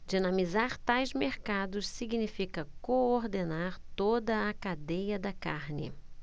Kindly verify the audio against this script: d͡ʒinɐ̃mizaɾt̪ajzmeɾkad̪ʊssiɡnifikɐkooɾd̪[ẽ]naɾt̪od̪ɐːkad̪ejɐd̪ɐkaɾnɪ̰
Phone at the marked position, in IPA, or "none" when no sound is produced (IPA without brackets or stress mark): e